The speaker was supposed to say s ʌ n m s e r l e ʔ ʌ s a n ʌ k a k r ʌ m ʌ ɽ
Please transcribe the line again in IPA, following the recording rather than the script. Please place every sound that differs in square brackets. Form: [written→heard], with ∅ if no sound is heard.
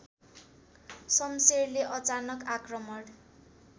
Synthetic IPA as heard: s ʌ [n→∅] m s e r l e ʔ ʌ [s→t͡s] a n ʌ k a k r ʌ m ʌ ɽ

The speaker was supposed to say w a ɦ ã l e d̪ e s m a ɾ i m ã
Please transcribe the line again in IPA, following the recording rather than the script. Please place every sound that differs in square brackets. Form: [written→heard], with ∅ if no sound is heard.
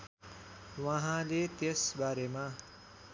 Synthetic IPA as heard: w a ɦ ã l e [d̪→t̪] e s [m→b] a ɾ [i→e] m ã

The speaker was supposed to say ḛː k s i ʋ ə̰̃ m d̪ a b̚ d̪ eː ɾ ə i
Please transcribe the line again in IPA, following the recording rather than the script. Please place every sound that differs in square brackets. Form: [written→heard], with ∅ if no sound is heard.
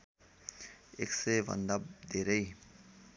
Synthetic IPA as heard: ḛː k s [i→e] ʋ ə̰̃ [m→n] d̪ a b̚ d̪ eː ɾ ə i

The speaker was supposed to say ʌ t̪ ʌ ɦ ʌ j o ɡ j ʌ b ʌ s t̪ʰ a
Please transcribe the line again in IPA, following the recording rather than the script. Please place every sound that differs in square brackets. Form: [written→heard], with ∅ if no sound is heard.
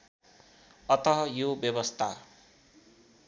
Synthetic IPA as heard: ʌ t̪ ʌ ɦ ʌ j o [ɡ→b] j ʌ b ʌ s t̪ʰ a

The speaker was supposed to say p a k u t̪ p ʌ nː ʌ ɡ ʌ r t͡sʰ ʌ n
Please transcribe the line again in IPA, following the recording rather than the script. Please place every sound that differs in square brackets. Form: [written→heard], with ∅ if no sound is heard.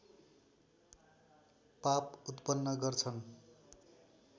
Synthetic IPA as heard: p a [k→p] u t̪ p ʌ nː ʌ ɡ ʌ r t͡sʰ ʌ n

